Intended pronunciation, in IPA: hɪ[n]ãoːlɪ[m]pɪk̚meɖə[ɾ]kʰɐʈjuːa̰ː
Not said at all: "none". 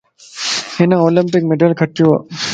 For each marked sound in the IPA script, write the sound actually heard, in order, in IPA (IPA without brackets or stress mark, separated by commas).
n, m, l